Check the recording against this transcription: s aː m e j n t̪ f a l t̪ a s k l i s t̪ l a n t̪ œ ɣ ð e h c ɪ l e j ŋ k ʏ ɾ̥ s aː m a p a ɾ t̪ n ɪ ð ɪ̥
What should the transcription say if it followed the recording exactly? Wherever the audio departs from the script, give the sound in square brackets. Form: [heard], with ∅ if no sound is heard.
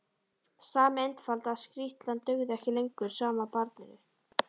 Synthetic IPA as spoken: s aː m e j n t̪ f a l t̪ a s k [ɾ] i [h] t̪ l a n t̪ œ ɣ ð [ɛ] h c ɪ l e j ŋ k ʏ ɾ̥ s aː m a p a ɾ t̪ n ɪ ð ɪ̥